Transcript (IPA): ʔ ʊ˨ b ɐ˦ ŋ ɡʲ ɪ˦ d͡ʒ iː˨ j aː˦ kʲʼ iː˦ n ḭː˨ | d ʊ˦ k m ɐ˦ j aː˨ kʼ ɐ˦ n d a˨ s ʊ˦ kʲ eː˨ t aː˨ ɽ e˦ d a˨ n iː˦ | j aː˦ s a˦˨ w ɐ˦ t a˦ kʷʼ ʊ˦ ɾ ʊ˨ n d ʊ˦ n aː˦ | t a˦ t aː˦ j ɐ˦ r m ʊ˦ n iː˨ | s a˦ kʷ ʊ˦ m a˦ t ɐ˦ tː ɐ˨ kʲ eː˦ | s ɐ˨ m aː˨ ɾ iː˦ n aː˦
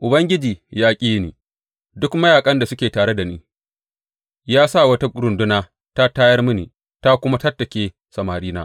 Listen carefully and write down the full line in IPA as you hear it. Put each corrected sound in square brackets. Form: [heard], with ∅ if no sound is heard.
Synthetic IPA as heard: ʔ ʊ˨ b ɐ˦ ŋ ɡʲ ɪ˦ d͡ʒ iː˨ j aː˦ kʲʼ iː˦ n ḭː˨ | d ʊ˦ k m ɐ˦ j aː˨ kʼ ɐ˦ n d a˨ s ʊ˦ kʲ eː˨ t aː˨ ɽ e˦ d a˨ n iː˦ | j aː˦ s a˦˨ w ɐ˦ t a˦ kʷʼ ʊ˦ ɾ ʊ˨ n d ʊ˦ n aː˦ | t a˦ t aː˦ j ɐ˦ r m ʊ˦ n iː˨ | [t] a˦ kʷ ʊ˦ m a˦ t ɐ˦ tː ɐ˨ kʲ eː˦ | s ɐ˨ m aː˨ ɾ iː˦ n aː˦